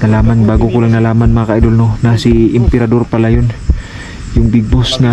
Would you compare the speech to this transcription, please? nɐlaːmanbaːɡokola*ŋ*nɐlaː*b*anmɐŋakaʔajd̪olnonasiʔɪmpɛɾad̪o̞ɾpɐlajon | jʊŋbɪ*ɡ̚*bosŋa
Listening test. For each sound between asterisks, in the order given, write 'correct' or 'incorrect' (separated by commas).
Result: correct, incorrect, correct